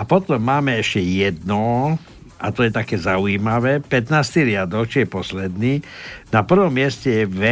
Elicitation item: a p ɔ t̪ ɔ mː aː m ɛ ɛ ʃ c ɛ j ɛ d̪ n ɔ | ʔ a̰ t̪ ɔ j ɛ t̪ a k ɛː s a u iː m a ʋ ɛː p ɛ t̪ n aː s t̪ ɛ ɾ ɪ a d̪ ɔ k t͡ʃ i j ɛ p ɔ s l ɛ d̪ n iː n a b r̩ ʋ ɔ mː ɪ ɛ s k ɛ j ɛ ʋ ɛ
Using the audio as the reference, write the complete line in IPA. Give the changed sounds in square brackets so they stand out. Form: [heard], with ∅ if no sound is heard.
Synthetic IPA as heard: a p ɔ t̪ ɔ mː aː m ɛ ɛ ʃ c ɛ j ɛ d̪ n ɔ | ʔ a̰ t̪ ɔ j ɛ t̪ a k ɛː [z] a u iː m a ʋ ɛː p ɛ t̪ n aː s t̪ [i] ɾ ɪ a d̪ ɔ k t͡ʃ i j ɛ p ɔ s l ɛ d̪ n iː n a [p] r̩ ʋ ɔ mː ɪ ɛ s [c] ɛ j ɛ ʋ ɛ